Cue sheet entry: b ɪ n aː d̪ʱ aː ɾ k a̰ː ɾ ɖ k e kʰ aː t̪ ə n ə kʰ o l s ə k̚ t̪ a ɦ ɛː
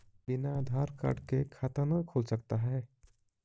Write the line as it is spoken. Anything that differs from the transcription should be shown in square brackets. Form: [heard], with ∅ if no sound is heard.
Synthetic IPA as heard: b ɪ n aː d̪ʱ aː ɾ k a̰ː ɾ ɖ k e kʰ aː t̪ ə n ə kʰ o l s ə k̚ t̪ a ɦ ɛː